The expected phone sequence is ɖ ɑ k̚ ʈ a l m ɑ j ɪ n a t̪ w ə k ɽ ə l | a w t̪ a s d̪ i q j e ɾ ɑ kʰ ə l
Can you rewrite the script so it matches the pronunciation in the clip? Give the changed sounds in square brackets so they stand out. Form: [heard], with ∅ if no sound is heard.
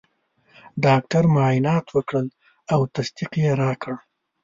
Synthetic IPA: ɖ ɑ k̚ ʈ a [ɾ] m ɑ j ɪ n [ɑ] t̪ w ə k ɽ ə l | a w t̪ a s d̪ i q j e ɾ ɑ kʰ ə [ɽ]

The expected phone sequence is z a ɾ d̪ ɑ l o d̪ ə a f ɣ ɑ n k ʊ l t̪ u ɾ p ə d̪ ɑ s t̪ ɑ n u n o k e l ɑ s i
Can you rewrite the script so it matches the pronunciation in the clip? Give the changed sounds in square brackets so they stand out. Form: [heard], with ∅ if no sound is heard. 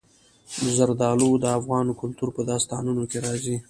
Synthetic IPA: z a ɾ d̪ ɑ l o d̪ ə a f ɣ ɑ n k ʊ l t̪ u ɾ p ə d̪ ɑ s t̪ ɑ n u n o k e [ɾ] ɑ [z] i

